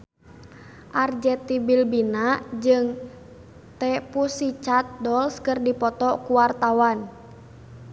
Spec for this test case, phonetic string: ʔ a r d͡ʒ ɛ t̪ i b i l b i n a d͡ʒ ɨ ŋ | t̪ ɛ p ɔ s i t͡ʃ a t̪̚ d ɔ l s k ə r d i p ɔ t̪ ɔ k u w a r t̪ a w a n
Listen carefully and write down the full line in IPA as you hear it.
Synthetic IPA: ʔ a r d͡ʒ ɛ t̪ i b i l b i n a d͡ʒ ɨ ŋ | t̪ ɛ p u s i t͡ʃ a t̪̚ d ɔ l s k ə r d i p ɔ t̪ ɔ k u w a r t̪ a w a n